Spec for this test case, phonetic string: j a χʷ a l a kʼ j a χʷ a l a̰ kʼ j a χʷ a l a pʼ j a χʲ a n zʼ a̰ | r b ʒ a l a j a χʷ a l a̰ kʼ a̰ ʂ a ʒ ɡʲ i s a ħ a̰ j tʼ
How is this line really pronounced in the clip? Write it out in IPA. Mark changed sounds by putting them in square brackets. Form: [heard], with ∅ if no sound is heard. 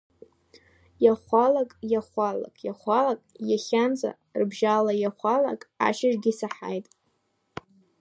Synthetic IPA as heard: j a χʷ a l a kʼ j a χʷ a l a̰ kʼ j a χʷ a l a [kʼ] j a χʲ a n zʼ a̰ | r b ʒ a l a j a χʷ a l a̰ kʼ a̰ [ʃ] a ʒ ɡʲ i s a ħ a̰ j tʼ